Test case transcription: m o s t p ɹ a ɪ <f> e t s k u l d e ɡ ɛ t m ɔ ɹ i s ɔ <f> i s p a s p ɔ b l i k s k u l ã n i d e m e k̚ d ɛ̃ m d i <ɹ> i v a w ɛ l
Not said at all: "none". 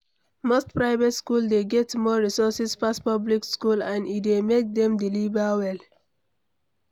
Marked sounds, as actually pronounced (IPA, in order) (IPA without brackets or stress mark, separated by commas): v, s, l